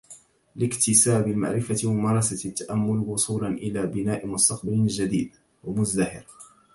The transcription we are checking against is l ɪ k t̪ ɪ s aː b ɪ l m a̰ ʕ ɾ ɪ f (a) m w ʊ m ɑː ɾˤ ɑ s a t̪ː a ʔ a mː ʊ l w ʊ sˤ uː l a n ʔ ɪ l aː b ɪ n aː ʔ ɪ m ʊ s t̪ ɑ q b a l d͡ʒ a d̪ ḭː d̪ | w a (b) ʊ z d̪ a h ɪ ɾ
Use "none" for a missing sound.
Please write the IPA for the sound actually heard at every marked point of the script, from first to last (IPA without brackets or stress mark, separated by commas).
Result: a, m